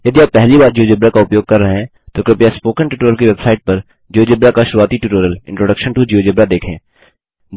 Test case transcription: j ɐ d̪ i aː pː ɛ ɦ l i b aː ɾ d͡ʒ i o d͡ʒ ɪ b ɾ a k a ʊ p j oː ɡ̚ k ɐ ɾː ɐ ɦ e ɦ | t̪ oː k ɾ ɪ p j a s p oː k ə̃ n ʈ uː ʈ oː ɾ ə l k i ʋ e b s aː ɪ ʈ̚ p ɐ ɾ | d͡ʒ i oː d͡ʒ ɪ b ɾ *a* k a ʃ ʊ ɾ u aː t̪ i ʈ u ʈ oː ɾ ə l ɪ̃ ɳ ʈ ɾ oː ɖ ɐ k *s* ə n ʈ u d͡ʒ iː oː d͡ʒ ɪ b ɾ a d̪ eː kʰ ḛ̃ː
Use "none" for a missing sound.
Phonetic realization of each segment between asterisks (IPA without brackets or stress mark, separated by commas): a, ʃ